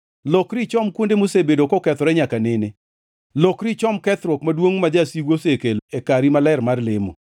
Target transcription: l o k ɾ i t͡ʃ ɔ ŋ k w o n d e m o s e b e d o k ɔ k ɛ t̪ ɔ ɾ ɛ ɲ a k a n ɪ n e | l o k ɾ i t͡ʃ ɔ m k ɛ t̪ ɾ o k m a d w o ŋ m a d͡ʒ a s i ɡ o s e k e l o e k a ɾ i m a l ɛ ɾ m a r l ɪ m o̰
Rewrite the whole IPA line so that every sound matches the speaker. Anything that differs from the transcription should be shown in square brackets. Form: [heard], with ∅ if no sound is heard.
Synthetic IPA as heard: l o k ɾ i t͡ʃ ɔ [m] k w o n d e m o s e b e d o k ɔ k ɛ t̪ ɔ ɾ ɛ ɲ a k a n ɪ n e | l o k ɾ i t͡ʃ ɔ m k ɛ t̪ ɾ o k m a d w o ŋ m a d͡ʒ a s i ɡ o s e k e l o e k a ɾ i m a l ɛ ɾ m a r l ɪ m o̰